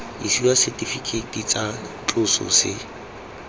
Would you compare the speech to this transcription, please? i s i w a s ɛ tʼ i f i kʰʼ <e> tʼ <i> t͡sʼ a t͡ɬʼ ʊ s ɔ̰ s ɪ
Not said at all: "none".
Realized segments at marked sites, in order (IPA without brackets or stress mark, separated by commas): e, i